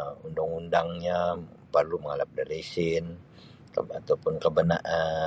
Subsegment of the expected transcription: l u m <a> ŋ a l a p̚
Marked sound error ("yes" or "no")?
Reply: yes